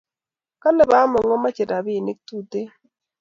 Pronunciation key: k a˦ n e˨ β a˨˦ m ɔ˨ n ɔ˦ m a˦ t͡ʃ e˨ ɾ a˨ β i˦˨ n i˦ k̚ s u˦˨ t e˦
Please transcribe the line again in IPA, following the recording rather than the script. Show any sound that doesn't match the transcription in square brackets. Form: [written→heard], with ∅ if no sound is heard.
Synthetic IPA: k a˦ n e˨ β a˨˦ m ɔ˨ [n→ŋ] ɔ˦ m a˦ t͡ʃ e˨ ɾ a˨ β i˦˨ n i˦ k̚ [s→t] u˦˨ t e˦